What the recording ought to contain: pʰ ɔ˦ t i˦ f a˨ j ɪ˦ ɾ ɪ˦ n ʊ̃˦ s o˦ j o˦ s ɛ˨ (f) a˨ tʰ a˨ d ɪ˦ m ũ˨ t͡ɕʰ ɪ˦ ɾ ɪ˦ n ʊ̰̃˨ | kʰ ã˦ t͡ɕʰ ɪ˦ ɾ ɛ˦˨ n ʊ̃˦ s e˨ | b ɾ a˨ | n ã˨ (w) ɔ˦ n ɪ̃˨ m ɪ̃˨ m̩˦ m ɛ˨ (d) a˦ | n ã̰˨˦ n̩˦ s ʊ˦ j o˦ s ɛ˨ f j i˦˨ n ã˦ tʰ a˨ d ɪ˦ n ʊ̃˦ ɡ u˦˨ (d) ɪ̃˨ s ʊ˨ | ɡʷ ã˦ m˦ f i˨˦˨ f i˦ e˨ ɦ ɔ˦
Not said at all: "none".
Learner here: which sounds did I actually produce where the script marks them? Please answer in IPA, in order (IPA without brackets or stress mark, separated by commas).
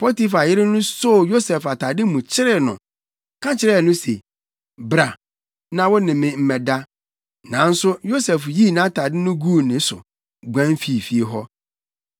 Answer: f, w, d, n